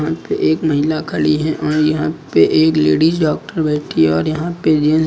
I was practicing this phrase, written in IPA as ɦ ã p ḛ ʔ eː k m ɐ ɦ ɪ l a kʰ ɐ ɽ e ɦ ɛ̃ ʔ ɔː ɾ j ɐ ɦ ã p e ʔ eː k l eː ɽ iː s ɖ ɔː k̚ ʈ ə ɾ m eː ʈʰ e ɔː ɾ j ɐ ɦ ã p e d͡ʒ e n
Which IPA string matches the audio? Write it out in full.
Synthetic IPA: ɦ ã p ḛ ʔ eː k m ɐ ɦ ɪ l a kʰ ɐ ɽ i ɦ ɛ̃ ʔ ɔː ɾ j ɐ ɦ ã p e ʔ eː k l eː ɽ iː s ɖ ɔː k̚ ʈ ə ɾ b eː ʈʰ i ɔː ɾ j ɐ ɦ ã p e d͡ʒ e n